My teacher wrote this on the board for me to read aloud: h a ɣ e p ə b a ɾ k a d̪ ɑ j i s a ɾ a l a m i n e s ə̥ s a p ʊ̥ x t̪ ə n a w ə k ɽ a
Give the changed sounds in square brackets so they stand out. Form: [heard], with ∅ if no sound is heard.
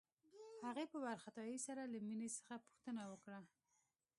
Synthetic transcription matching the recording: h a ɣ e p ə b a ɾ [x] a [t̪] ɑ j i s a ɾ a l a m i n e s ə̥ [x] a p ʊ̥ x t̪ ə n a w ə k ɽ a